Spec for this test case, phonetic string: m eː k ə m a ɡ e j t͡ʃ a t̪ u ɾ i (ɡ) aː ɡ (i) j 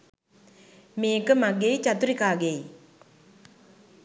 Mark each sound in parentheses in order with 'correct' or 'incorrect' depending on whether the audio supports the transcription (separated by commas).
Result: incorrect, incorrect